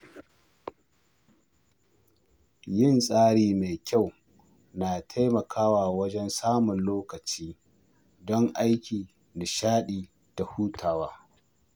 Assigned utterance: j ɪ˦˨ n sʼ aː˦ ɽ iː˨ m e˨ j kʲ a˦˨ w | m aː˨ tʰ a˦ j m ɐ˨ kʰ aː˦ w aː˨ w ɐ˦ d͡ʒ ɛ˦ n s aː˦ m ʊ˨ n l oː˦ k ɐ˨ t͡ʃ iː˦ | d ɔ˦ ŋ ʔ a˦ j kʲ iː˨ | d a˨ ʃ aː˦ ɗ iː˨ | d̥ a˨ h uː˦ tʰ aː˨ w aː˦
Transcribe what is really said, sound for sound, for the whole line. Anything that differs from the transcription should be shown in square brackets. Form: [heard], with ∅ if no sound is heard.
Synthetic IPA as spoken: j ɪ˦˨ n sʼ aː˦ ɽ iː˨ m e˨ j kʲ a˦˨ w | [n] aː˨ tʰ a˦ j m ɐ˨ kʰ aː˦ w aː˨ w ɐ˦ d͡ʒ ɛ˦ n s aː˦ m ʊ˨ n l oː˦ k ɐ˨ t͡ʃ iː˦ | d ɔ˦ ŋ ʔ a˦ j kʲ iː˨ | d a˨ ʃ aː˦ ɗ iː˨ | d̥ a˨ h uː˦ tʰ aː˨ w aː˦